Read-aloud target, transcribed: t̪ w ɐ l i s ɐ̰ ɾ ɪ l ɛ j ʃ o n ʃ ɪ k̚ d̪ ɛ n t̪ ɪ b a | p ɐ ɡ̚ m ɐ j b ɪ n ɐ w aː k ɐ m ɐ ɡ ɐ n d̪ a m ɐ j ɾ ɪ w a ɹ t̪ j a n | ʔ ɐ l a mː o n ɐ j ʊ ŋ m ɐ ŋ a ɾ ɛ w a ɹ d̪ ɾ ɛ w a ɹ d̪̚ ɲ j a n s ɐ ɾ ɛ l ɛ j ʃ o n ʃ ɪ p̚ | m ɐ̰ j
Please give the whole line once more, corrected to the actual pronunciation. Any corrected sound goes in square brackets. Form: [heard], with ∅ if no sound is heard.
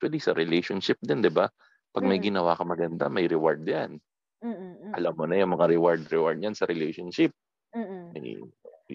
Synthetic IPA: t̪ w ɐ l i s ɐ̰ ɾ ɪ l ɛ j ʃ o n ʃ ɪ [p̚] d̪ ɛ n [d̪] ɪ b a | p ɐ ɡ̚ m ɐ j [ɡ] ɪ n ɐ w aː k ɐ m ɐ ɡ ɐ n d̪ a m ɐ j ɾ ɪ w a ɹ [d̪] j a n | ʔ ɐ l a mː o n ɐ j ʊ ŋ m ɐ ŋ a ɾ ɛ w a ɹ d̪ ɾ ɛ w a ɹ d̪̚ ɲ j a n s ɐ ɾ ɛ l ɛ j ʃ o n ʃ ɪ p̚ | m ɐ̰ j